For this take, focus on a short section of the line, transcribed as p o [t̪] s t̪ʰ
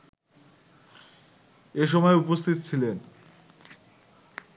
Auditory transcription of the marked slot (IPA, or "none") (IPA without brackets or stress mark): none